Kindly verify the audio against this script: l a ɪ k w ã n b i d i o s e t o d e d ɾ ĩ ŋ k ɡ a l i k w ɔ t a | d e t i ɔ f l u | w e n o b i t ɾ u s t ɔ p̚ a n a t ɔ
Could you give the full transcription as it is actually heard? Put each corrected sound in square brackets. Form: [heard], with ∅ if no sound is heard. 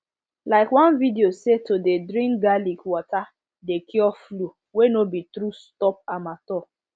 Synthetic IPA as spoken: l a ɪ k w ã n [v] i d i o s e t o d e d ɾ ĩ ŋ k ɡ a l i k w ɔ t a | d e [k] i ɔ f l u | w e n o b i t ɾ u s t ɔ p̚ a [m] a t ɔ